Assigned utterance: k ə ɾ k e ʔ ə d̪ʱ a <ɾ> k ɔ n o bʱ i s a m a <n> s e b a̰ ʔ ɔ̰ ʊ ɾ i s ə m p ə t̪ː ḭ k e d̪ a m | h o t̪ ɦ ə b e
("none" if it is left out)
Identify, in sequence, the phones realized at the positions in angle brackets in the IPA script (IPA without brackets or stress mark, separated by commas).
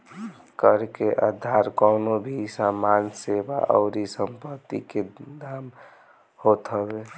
ɾ, n